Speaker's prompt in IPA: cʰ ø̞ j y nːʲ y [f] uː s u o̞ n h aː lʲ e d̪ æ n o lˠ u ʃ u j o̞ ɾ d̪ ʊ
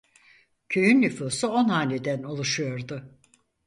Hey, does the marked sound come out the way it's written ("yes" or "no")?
yes